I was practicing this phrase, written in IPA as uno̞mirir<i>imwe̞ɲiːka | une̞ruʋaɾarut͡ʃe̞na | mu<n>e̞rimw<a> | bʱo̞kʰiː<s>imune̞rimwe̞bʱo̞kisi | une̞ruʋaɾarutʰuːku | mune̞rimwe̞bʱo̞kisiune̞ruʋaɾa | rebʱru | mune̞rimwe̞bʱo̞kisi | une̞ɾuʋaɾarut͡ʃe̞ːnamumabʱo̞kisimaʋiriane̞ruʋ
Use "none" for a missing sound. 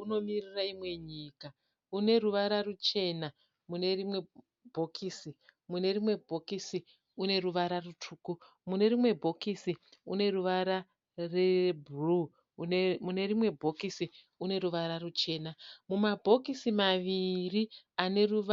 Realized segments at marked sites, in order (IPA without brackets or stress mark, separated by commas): a, n, e, s